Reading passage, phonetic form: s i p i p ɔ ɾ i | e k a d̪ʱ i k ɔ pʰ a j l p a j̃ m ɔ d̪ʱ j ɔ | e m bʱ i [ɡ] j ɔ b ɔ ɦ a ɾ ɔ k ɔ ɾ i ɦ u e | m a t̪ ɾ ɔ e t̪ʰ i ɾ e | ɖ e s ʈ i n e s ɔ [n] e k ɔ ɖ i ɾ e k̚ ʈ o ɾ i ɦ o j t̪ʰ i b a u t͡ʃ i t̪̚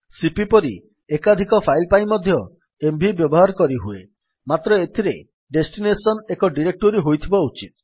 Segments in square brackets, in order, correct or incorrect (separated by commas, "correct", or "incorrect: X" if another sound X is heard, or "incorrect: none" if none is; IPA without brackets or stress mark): incorrect: b, correct